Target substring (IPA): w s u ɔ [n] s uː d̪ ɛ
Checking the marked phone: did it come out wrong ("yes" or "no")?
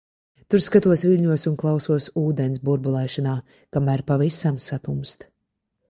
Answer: yes